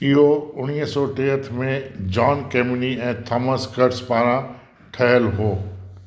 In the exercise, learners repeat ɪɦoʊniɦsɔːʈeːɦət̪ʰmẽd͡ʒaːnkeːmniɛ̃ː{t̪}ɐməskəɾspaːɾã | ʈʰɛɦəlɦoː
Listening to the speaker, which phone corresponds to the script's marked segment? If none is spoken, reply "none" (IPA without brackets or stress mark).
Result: t̪ʰ